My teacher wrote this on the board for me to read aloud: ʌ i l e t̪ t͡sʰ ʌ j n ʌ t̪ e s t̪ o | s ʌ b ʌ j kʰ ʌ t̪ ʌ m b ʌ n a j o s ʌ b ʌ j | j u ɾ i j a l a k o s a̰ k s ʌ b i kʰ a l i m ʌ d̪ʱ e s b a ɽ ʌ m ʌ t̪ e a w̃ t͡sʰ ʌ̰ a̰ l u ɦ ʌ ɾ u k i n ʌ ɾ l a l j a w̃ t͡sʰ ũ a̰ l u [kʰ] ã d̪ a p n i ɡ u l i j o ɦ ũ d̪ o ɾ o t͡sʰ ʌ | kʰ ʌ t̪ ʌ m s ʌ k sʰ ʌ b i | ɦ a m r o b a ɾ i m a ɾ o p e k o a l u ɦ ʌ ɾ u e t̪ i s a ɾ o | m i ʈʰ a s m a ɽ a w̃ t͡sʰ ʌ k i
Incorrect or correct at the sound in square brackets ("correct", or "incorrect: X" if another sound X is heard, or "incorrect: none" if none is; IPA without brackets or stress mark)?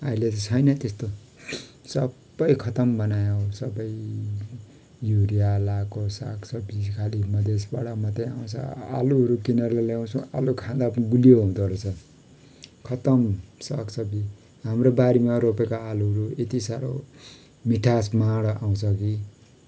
correct